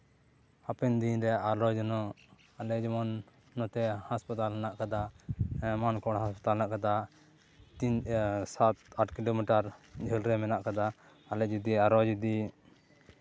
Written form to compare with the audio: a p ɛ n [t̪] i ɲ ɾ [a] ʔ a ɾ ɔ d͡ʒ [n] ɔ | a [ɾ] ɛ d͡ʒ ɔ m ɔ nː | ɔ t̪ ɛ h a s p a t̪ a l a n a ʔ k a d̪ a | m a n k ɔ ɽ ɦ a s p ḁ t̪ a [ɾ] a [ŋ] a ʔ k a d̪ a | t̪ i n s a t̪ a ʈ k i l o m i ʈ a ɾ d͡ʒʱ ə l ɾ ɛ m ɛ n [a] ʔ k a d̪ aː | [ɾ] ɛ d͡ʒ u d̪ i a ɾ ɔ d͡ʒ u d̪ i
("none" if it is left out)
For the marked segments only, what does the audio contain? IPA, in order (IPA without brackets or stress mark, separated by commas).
d̪, ɛ, n, l, l, n, a, l